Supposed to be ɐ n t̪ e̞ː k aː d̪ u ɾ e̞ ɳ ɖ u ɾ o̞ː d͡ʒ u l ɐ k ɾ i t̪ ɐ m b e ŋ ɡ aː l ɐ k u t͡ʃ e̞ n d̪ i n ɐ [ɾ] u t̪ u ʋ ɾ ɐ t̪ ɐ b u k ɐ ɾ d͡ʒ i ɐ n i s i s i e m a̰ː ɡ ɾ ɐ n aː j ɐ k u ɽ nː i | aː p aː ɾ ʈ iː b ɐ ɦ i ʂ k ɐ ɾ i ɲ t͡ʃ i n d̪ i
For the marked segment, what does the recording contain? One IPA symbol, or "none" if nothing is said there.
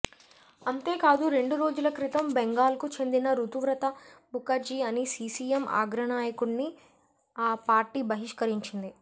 ɾ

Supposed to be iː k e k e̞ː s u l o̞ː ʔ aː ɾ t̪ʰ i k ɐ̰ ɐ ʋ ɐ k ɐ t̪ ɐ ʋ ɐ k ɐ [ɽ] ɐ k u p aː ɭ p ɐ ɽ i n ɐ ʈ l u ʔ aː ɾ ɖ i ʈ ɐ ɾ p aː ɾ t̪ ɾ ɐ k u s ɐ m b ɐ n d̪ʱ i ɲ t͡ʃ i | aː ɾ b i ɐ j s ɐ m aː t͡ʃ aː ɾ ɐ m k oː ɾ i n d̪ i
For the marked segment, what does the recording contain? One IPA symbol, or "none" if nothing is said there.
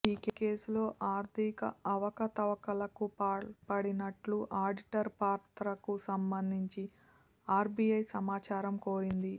l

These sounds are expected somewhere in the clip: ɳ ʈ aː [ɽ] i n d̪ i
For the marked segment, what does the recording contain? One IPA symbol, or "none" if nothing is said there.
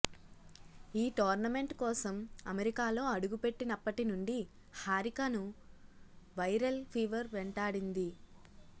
ɽ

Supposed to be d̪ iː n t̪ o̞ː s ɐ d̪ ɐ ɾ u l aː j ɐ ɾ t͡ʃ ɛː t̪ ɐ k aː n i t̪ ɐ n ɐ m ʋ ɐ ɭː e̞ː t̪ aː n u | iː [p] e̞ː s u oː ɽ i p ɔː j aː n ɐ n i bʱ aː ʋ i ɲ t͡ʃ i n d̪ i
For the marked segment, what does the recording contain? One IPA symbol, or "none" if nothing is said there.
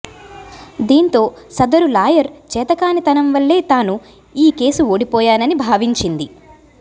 k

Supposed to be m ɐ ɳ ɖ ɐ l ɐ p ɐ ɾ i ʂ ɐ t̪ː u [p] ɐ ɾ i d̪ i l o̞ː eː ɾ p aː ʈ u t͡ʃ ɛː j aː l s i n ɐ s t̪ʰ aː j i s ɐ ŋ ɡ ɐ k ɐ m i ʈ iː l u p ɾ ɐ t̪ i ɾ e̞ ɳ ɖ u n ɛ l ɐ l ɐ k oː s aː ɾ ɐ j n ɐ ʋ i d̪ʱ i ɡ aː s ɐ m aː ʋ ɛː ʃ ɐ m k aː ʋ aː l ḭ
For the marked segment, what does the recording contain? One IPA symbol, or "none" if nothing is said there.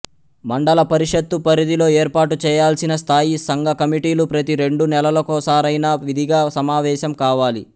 p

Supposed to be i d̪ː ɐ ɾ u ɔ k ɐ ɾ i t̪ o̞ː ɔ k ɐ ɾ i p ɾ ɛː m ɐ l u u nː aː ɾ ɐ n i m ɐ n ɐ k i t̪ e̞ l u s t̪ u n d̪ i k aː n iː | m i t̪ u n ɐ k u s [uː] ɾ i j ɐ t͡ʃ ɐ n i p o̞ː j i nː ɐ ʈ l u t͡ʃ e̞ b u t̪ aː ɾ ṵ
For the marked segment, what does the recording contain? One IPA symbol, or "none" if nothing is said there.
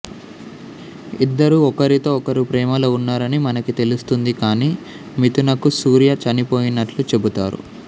uː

